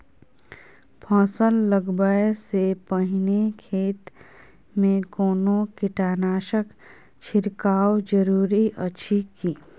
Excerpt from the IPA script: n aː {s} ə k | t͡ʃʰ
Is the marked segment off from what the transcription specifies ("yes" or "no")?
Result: yes